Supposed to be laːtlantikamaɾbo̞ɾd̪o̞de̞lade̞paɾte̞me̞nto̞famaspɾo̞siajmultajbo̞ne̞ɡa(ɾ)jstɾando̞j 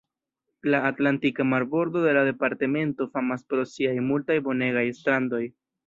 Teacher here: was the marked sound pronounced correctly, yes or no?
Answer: no